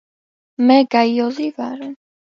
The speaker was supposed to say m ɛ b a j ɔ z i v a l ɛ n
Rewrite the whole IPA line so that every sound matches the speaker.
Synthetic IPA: m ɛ ɡ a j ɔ z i v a ɾ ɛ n